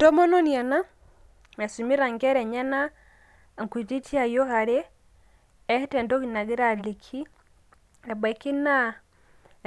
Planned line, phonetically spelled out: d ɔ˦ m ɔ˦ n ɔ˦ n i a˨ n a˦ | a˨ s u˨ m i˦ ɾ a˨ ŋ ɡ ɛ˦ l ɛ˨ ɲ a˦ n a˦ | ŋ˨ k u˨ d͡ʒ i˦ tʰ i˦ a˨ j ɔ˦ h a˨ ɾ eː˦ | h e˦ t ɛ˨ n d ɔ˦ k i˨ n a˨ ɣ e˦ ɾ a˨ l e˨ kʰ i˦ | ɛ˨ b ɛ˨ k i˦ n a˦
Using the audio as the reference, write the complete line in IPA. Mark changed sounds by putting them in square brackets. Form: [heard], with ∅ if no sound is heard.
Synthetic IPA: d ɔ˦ m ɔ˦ n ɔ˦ n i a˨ n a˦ | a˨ s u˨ m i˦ ɾ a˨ ŋ ɡ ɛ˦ [ɾ] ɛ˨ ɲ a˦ n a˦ | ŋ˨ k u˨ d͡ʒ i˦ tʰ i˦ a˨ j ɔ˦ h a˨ ɾ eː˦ | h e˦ t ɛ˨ n d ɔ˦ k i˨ n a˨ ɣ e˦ ɾ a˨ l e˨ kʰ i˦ | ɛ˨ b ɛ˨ k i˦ n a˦